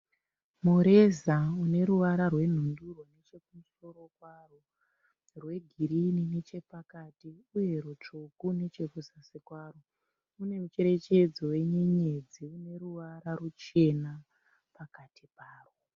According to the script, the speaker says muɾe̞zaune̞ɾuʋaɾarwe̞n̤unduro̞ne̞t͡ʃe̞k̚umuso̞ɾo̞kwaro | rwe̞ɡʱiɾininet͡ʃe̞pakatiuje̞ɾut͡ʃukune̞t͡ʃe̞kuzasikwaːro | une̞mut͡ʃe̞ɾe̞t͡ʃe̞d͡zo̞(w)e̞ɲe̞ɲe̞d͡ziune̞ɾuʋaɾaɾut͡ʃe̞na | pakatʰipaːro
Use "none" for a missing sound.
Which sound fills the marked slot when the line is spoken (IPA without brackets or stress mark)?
w